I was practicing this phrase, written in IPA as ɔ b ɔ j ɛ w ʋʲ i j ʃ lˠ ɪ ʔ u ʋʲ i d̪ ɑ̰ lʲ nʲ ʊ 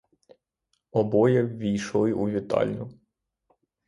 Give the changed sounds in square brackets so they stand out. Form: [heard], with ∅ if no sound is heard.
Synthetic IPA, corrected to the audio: ɔ b ɔ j ɛ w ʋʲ i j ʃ lˠ ɪ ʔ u ʋʲ i [t̪] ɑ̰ lʲ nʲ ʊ